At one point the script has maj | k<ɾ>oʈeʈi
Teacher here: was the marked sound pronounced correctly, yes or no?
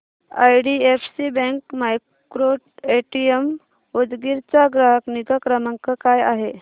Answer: yes